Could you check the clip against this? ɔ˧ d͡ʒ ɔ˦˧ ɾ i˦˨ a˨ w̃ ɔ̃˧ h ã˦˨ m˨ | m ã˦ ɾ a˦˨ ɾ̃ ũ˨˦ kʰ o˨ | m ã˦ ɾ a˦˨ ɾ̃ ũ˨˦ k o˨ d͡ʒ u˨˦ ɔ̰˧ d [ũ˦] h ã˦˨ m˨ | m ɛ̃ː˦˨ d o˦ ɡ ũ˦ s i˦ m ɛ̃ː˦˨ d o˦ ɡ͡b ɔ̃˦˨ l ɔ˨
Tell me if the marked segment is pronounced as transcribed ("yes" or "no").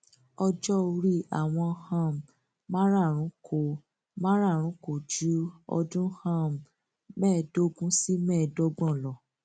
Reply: yes